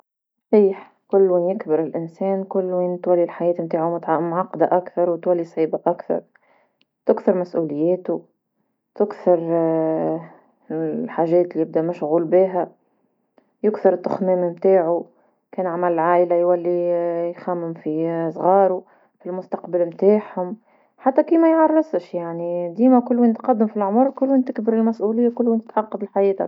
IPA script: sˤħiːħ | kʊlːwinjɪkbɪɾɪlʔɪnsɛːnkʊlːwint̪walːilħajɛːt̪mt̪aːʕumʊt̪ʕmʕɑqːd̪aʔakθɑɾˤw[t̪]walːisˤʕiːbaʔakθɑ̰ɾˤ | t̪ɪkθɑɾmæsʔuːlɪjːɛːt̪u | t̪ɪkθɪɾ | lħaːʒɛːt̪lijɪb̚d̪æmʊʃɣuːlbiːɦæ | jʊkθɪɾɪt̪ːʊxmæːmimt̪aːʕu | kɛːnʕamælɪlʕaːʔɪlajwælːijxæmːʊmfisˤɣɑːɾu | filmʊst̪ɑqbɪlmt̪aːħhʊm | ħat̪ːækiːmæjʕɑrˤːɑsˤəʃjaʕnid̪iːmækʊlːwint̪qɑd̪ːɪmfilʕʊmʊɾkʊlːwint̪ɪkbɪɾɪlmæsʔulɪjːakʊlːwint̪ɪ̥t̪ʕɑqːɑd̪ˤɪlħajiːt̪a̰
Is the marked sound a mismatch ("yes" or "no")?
no